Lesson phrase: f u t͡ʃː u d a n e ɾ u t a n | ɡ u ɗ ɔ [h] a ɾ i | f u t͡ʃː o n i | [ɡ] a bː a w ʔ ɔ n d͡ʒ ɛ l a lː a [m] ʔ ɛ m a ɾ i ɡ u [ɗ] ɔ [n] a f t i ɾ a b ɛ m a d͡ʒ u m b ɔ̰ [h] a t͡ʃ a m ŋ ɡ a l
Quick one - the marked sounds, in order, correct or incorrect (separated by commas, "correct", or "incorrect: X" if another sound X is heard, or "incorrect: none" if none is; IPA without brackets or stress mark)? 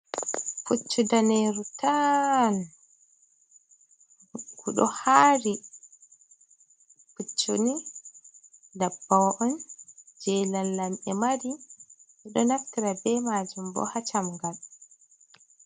correct, incorrect: d, correct, correct, correct, correct